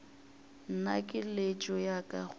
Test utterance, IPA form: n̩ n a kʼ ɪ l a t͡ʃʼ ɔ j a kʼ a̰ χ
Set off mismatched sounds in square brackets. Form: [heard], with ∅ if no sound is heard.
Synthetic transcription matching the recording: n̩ n a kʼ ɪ l [e] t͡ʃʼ ɔ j a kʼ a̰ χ